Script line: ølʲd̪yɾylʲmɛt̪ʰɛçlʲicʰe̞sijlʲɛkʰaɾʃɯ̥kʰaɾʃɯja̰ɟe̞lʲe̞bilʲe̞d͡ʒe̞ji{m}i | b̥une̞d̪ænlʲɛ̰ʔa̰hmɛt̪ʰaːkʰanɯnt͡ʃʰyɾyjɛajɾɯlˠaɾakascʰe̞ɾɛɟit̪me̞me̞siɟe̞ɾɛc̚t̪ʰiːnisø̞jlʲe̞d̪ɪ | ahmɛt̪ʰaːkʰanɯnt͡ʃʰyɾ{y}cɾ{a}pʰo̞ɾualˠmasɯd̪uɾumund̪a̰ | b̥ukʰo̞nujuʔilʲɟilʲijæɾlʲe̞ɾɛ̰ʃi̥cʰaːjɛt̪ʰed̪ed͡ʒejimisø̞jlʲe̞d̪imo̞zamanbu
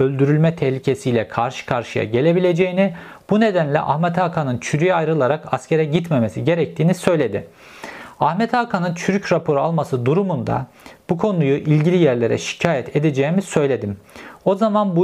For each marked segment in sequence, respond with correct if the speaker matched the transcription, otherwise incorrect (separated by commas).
incorrect, correct, correct